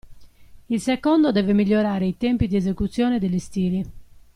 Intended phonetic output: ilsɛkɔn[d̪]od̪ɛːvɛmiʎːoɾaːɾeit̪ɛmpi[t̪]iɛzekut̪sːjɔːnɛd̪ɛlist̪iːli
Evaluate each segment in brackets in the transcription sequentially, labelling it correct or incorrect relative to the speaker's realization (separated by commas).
correct, incorrect